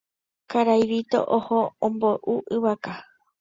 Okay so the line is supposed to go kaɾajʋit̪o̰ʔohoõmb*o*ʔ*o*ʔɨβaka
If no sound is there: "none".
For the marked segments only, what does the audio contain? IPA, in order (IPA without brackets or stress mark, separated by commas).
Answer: o, u